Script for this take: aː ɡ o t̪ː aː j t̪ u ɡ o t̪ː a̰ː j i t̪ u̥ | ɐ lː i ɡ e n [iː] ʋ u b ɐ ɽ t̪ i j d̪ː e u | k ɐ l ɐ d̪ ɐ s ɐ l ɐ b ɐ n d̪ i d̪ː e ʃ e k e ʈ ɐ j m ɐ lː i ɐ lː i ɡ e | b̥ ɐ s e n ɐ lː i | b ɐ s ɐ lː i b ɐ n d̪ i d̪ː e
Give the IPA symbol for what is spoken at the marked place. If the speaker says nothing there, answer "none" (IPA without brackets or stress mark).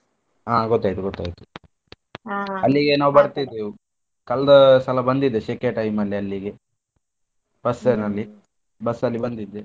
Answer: aː